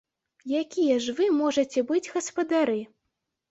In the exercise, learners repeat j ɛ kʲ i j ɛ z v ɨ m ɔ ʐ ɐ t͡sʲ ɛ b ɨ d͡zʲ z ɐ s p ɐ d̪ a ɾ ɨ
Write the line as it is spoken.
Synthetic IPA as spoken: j a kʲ i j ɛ ʐ v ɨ m ɔ ʐ ɐ t͡sʲ ɛ b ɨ d͡zʲ ɣ ɐ s p ɐ d̪ a ɾ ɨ